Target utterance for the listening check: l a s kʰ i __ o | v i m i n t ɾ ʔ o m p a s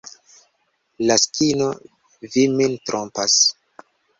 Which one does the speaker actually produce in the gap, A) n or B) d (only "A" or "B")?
A